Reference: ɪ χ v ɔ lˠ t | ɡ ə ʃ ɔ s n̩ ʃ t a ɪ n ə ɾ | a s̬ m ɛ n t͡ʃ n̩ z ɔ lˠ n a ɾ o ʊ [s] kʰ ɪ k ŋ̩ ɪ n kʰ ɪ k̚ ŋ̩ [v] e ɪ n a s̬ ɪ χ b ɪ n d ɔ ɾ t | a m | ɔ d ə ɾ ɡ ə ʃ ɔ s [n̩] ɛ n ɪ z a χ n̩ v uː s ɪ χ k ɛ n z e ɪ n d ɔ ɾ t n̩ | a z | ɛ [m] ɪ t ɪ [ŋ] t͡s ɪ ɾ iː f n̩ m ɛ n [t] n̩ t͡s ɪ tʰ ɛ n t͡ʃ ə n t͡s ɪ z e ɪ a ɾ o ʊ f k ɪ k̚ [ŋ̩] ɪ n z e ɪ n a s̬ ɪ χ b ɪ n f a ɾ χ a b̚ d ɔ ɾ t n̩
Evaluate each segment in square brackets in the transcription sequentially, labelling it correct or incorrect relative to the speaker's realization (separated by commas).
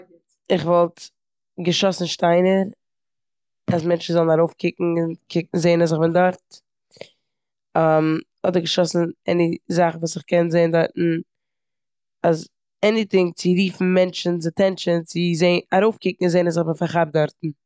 incorrect, incorrect, correct, incorrect, correct, incorrect, correct